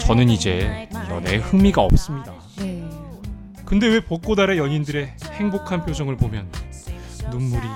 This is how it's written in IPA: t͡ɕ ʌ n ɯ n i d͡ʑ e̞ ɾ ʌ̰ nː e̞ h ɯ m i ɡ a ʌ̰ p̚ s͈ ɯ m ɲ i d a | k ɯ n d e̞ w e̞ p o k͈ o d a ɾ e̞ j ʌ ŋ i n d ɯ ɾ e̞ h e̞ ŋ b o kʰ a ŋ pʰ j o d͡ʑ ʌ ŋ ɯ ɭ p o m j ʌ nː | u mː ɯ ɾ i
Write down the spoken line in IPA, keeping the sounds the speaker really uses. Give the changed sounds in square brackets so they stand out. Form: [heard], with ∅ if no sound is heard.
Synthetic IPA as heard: t͡ɕ ʌ n ɯ n i d͡ʑ e̞ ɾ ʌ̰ [n] e̞ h ɯ m i ɡ a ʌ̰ p̚ s͈ ɯ m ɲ i d a | k ɯ n d e̞ w e̞ p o k͈ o d a ɾ e̞ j ʌ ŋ i n d ɯ ɾ e̞ h e̞ ŋ b o kʰ a [n] pʰ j o d͡ʑ ʌ ŋ ɯ ɭ p o m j ʌ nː | u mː [u] ɾ i